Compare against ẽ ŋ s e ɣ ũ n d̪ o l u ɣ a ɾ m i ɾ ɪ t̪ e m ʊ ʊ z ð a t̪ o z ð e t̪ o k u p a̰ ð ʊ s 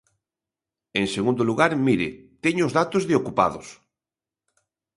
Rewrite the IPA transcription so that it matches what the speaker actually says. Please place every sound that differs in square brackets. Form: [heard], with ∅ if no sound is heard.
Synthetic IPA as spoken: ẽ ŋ s e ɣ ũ n d̪ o l u ɣ a ɾ m i ɾ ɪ t̪ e [ɲ] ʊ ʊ z ð a t̪ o z ð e [∅] o k u p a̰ ð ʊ s